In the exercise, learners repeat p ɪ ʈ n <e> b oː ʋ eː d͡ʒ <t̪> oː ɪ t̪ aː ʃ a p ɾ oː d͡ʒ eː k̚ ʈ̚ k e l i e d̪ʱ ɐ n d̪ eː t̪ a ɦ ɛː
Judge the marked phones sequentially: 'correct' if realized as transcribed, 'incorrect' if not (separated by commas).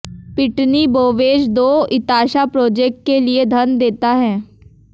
incorrect, incorrect